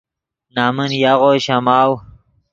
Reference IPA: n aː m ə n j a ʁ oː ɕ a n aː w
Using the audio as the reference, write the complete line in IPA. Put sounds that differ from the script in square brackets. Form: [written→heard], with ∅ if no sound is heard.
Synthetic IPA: n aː m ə n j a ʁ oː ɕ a [n→m] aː w